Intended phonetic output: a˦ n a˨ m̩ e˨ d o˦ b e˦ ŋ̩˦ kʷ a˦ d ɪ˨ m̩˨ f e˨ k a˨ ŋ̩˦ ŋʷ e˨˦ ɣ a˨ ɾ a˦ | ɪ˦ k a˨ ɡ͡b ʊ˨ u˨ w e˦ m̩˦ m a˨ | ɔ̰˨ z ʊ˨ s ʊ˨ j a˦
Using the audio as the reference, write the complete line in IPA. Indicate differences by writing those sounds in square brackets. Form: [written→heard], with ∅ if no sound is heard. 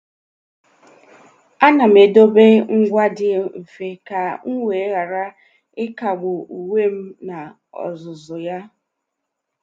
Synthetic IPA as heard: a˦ n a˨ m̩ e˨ d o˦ b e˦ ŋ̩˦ [kʷ→ɡʷ] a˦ d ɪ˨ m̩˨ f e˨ k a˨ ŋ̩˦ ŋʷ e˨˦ ɣ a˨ ɾ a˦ | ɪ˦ k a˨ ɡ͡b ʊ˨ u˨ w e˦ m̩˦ [m→n] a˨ | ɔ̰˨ z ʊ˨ [s→z] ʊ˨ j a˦